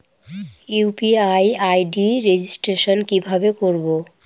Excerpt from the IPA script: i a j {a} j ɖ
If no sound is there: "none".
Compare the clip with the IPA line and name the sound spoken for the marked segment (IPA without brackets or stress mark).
a